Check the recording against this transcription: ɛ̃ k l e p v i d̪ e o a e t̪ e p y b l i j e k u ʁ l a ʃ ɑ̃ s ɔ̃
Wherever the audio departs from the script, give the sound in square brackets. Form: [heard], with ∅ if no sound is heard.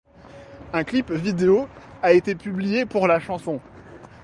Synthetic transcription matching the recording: ɛ̃ k l [i] p v i d̪ e o a e t̪ e p y b l i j e [p] u ʁ l a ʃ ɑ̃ s ɔ̃